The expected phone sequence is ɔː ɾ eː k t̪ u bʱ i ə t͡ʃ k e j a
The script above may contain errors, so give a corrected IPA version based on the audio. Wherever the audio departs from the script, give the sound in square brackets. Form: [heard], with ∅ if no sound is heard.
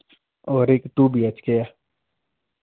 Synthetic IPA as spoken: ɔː ɾ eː k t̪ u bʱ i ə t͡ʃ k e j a